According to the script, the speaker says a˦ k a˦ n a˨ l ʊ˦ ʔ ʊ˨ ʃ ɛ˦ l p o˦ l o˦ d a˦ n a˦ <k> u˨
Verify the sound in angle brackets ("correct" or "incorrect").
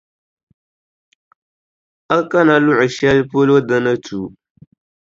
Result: incorrect